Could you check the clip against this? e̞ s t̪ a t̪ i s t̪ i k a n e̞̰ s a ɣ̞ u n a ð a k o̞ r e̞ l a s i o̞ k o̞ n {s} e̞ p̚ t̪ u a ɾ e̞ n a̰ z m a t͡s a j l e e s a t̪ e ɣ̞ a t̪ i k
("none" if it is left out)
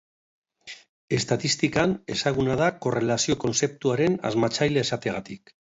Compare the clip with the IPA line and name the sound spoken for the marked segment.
s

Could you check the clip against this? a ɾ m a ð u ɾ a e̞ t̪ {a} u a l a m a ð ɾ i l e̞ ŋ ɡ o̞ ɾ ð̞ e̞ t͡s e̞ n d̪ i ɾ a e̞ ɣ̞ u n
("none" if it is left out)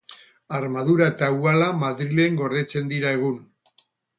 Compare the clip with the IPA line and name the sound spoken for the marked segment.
a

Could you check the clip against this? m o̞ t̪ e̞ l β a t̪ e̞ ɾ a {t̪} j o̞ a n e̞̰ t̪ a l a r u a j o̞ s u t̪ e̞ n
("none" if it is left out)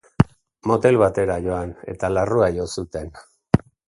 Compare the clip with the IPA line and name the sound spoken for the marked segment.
none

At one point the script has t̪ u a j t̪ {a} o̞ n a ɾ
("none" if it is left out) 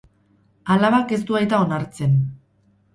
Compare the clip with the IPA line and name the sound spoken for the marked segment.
a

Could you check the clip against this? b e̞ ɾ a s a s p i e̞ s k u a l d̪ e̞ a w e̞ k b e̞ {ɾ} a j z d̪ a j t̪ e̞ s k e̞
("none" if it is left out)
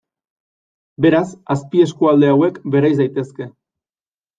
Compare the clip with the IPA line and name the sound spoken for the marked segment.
ɾ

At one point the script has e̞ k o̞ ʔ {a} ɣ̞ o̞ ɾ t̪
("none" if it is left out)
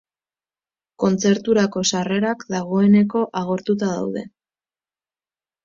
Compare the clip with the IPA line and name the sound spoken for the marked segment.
a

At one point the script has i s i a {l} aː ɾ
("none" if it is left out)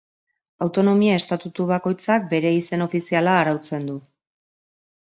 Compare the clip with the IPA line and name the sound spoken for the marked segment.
l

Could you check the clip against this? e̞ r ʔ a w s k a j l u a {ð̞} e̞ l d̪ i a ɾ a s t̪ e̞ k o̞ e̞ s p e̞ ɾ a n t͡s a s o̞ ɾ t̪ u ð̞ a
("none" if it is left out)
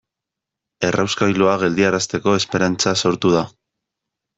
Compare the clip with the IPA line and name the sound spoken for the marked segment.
ɣ̞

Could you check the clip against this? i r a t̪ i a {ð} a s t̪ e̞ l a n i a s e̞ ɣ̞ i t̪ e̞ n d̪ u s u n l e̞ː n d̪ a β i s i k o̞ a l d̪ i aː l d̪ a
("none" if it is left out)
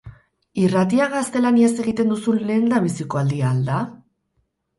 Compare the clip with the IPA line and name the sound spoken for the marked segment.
ɣ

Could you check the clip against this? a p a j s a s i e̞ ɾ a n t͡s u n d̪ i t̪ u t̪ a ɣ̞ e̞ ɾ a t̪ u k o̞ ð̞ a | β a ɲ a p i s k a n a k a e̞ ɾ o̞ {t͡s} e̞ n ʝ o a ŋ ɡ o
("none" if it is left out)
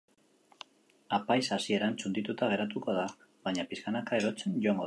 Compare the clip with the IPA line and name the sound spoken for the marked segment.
t͡s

